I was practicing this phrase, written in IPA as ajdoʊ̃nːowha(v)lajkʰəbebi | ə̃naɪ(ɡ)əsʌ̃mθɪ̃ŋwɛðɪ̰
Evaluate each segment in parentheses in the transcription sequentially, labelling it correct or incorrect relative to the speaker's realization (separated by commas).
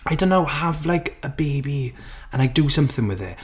correct, incorrect